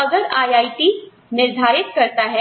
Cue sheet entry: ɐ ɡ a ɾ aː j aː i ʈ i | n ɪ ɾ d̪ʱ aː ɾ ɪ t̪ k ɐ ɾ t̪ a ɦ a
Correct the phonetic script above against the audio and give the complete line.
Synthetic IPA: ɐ ɡ ə ɾ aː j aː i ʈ i | n ɪ ɾ d̪ʱ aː ɾ ɪ t̪ k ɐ ɾ t̪ a ɦ ɛ